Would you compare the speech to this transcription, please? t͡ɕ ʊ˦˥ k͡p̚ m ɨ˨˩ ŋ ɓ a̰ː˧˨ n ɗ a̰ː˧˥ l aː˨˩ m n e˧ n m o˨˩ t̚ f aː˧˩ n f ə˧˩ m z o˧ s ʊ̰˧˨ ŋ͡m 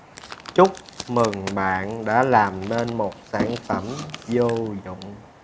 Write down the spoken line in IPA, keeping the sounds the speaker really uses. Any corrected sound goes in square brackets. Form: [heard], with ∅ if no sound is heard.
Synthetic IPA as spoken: t͡ɕ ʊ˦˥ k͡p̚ m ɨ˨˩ ŋ ɓ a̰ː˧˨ n ɗ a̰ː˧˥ l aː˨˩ m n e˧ n m o˨˩ t̚ [s] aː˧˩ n f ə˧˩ m z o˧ [z] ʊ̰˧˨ ŋ͡m